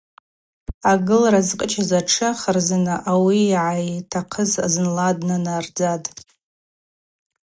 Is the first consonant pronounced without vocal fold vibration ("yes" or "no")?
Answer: no